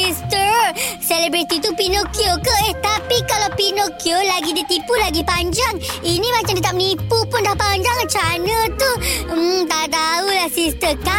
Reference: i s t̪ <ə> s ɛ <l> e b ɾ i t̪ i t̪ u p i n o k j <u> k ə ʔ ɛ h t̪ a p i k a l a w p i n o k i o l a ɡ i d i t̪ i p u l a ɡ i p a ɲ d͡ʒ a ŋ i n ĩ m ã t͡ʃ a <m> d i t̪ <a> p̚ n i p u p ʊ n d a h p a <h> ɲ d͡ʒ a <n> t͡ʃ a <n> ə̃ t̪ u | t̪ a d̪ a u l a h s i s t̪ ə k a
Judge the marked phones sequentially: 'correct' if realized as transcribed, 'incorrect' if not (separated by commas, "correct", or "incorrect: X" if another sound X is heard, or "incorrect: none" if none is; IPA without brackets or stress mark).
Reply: correct, correct, incorrect: o, correct, correct, incorrect: none, incorrect: ŋ, correct